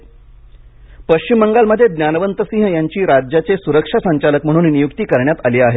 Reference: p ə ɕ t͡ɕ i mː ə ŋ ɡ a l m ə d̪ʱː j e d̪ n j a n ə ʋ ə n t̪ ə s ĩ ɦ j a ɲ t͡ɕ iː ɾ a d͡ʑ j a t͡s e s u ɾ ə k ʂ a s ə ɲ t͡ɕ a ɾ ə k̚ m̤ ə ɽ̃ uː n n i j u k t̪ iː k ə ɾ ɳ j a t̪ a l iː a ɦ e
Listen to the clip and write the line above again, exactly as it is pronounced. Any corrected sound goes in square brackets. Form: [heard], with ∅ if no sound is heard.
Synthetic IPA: p ə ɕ t͡ɕ i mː ə ŋ ɡ a l m ə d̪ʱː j e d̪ n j a n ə ʋ ə n t̪ ə s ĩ ɦ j a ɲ t͡ɕ iː ɾ a d͡ʑ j a t͡s e s u ɾ ə k ʂ a s ə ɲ t͡ɕ a [l] ə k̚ m̤ ə ɽ̃ uː n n i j u k t̪ iː k ə ɾ ɳ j a t̪ a l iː a ɦ e

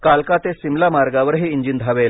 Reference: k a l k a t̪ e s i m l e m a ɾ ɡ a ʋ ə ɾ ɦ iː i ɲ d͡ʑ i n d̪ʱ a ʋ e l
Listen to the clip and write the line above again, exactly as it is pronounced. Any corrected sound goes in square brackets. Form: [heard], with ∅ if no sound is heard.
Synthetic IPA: k a l k a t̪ e s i m l [a] m a ɾ ɡ a ʋ ə ɾ ɦ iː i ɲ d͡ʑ i n d̪ʱ a ʋ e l

